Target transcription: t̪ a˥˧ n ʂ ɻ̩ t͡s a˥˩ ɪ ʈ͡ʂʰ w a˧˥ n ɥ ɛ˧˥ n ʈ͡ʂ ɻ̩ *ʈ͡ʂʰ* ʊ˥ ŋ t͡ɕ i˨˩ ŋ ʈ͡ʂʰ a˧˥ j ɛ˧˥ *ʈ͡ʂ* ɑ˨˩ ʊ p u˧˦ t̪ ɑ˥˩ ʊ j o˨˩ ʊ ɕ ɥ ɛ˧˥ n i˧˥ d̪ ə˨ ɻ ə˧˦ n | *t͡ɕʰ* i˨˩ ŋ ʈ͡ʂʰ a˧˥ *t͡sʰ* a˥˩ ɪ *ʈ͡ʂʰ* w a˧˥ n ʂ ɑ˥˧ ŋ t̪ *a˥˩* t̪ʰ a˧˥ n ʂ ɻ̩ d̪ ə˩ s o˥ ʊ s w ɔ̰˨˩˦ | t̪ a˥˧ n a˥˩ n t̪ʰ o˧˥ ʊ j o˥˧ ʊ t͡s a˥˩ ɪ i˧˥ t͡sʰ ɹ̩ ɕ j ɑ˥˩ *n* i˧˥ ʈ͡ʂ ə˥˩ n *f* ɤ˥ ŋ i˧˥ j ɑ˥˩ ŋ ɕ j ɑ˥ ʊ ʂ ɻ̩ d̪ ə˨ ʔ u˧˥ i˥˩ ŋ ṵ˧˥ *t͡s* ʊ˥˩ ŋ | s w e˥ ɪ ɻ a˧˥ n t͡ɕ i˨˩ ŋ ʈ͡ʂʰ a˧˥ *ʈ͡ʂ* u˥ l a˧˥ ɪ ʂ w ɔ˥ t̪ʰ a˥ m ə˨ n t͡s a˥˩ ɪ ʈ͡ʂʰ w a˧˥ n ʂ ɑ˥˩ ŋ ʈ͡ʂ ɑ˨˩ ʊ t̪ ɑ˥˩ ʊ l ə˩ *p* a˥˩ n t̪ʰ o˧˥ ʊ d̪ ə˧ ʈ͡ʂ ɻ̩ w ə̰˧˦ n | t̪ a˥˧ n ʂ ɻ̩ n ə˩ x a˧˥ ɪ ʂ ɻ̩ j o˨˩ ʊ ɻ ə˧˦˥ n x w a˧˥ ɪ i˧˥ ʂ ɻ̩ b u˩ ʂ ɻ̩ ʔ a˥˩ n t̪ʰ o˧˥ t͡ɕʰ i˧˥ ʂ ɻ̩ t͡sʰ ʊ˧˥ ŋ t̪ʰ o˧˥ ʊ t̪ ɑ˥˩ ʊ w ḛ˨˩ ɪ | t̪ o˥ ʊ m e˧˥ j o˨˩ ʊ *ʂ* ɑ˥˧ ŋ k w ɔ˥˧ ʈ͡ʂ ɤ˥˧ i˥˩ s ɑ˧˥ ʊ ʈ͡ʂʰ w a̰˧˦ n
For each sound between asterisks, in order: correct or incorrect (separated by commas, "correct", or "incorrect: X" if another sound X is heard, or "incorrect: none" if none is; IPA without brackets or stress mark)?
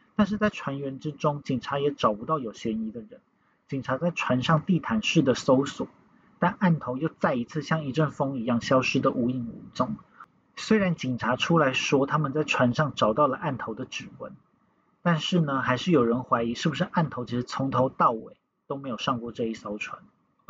incorrect: ʈ͡ʂ, correct, incorrect: t͡ɕ, incorrect: t͡s, correct, incorrect: i˥˩, incorrect: ŋ, correct, correct, incorrect: ʈ͡ʂʰ, incorrect: ʔ, correct